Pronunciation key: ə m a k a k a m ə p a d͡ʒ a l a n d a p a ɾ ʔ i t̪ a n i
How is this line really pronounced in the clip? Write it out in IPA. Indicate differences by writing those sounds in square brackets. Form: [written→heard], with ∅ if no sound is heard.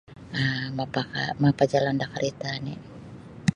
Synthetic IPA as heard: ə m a [k→p] a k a m [ə→a] p a d͡ʒ a l a n d a [p→k] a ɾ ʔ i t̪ a n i

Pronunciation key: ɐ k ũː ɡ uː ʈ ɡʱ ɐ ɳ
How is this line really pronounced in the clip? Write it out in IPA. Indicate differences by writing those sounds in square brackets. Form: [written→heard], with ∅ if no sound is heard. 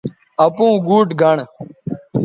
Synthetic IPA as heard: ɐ [k→p] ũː ɡ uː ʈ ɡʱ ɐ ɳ

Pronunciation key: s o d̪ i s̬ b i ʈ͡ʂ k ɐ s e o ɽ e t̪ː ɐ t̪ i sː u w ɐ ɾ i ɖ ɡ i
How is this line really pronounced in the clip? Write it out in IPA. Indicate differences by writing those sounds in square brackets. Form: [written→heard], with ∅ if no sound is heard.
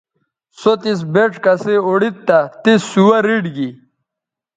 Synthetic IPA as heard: s o [d̪→t̪] i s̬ b [i→e] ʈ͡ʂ k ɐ s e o ɽ [e→i] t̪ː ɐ t̪ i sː u w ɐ ɾ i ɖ ɡ i

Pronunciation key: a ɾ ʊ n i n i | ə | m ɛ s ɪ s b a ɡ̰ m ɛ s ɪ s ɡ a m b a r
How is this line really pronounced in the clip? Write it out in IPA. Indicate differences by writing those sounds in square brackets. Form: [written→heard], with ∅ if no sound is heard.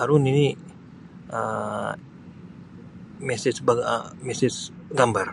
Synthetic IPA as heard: a ɾ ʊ n i n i | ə | m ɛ s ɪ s b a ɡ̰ m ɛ s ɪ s ɡ a m b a r

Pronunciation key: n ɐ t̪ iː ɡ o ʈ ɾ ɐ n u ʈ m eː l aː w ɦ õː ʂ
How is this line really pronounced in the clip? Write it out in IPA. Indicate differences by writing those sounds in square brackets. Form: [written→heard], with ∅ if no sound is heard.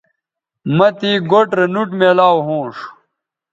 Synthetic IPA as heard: [n→m] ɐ t̪ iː ɡ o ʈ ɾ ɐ n u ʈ m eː l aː w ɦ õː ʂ

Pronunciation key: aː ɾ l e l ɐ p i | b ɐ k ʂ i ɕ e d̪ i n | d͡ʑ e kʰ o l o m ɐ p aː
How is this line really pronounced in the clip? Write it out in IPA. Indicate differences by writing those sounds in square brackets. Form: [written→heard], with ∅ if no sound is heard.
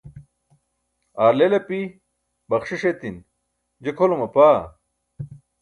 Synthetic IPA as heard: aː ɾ l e l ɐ p i | b ɐ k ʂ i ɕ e [d̪→t̪] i n | d͡ʑ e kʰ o l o m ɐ p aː

